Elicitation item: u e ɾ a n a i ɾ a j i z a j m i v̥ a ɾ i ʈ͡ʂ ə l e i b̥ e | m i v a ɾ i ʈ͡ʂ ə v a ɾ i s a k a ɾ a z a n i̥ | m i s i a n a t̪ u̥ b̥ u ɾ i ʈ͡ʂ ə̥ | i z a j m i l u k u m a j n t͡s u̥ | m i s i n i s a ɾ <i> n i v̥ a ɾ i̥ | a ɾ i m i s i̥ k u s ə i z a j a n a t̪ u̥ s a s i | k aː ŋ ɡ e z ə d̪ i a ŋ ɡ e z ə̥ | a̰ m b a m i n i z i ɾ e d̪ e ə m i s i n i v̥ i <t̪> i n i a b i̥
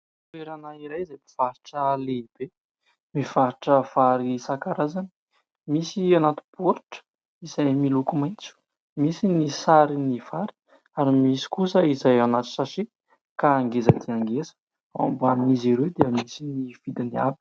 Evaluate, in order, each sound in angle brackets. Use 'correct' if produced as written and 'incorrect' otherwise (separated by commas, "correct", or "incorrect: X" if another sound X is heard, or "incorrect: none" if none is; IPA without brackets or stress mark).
correct, incorrect: d̪